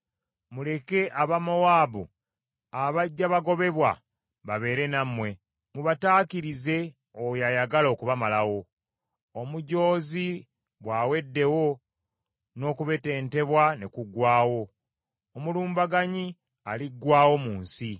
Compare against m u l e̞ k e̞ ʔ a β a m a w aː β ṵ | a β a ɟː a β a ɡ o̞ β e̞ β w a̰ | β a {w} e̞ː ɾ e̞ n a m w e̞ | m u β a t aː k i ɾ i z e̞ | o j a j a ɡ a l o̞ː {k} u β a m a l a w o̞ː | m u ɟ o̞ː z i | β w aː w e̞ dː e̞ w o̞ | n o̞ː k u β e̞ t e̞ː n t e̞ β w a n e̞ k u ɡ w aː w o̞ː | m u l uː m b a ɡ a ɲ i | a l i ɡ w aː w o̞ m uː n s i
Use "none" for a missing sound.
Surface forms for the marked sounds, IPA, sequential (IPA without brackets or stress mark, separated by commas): β, k